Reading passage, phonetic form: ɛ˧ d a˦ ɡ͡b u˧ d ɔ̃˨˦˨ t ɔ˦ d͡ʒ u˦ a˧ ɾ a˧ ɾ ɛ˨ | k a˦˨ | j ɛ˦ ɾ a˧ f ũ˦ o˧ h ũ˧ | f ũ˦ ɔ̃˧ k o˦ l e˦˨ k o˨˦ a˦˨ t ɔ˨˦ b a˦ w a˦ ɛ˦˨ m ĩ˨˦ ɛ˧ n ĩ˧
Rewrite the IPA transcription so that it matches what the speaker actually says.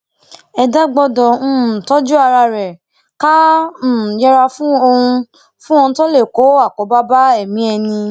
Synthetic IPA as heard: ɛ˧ d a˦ ɡ͡b ɔ˧ d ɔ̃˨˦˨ t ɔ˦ d͡ʒ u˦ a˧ ɾ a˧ ɾ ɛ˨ | k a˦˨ | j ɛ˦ ɾ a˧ f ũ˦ o˧ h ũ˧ | f ũ˦ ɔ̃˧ t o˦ l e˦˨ k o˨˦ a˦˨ k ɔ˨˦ b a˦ b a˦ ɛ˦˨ m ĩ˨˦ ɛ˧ n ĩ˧